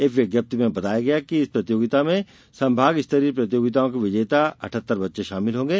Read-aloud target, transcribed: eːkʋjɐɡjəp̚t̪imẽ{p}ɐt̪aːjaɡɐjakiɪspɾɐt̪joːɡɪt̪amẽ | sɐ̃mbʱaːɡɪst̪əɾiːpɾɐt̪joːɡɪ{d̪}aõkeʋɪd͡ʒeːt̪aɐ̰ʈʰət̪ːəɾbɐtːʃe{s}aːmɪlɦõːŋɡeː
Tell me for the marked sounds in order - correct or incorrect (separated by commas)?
incorrect, incorrect, incorrect